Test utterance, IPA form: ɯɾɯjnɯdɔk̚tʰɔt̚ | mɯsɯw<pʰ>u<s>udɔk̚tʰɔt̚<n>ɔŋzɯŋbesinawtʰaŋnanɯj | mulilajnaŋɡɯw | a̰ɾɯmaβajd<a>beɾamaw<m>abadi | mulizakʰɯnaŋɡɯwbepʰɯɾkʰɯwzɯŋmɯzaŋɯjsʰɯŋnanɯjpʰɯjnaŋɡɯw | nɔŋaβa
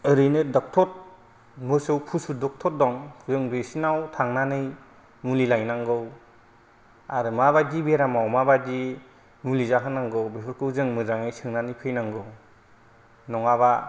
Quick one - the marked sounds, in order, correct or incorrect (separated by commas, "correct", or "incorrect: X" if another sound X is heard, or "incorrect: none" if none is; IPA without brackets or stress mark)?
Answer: correct, correct, incorrect: d, incorrect: i, correct